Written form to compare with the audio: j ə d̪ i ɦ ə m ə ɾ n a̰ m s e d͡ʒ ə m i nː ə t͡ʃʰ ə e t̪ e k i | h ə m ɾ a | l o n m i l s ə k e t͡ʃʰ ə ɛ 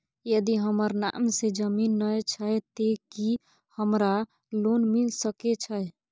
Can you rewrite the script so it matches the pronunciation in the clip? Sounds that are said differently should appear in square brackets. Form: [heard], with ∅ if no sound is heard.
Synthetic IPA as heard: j ə d̪ i ɦ ə m ə ɾ n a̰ m s e d͡ʒ ə m i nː ə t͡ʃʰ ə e t̪ e k i | h ə m ɾ a | l o n m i l s ə k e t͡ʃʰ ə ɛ